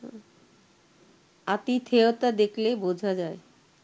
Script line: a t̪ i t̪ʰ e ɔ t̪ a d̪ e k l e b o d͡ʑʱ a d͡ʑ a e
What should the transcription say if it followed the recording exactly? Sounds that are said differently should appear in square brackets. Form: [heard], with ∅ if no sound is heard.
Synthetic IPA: a t̪ i t̪ʰ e [o] t̪ a d̪ e k l e b o d͡ʑʱ a d͡ʑ a e